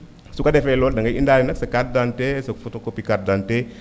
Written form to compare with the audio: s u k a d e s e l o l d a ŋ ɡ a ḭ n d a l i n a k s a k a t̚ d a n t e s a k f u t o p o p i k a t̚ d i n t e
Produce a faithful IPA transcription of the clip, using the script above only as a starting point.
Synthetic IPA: s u k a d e f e l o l d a ŋ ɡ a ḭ n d a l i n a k s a k a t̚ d a n t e s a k f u t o k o p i k a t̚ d a n t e

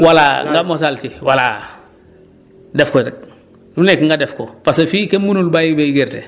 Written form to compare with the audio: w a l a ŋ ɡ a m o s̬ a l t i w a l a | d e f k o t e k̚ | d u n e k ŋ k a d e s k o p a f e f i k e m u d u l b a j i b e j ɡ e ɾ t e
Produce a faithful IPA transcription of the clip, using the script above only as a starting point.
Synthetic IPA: w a l a ŋ ɡ a m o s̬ a l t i w a l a | d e f k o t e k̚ | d u n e k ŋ ɡ a d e f k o p a s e f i k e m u n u l b a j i b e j ɡ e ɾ t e

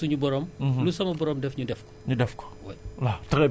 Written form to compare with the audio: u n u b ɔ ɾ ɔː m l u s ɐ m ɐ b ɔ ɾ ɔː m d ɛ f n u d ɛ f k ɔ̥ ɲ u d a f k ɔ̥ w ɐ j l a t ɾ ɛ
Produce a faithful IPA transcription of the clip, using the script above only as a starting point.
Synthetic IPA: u ɲ u b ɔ ɾ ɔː m l u s ɐ m ɐ b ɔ ɾ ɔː m d ɛ f ɲ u d ɛ f k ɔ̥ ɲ u d ɛ f k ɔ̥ w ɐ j l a t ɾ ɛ

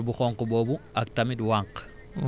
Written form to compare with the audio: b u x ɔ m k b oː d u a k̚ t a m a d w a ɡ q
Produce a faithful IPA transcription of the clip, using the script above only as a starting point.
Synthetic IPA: b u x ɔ ŋ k b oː b u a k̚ t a m i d w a ŋ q

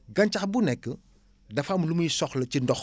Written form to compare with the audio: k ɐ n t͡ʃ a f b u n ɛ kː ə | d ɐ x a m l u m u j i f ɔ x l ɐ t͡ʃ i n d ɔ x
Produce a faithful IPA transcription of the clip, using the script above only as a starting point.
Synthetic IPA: ɡ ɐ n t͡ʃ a x b u n ɛ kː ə | d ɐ f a m l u m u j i s ɔ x l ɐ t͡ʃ i n d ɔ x

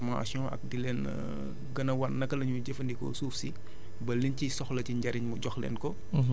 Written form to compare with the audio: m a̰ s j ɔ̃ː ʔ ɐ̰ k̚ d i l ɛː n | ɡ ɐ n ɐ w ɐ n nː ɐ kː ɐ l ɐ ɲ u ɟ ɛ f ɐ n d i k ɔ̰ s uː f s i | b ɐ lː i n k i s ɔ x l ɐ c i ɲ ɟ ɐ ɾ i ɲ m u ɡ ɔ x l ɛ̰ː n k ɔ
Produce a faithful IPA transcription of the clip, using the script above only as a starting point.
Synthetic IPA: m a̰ s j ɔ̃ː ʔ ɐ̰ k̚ d i l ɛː n | ɡ ɐ n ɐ w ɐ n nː ɐ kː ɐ l ɐ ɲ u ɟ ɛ f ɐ n d i k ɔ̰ s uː f s i | b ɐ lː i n c i s ɔ x l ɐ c i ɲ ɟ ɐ ɾ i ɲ m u ɟ ɔ x l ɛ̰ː n k ɔ

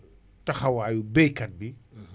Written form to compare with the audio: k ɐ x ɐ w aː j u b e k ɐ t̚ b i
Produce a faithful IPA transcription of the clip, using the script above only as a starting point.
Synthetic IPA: t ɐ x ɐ w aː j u b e k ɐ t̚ b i

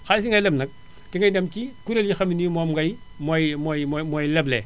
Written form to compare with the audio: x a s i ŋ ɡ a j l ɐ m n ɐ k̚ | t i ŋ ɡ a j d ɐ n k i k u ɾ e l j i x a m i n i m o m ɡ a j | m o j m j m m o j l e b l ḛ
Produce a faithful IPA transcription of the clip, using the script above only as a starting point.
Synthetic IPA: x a s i ŋ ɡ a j l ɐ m n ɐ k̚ | t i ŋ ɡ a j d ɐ m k i k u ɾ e l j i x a m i n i m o m ɡ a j | m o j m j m m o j l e b l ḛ

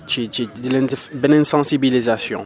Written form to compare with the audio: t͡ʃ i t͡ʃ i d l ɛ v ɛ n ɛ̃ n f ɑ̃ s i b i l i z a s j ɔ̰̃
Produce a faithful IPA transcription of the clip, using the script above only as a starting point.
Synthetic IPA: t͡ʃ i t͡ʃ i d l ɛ b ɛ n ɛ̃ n s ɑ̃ s i b i l i z a s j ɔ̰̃

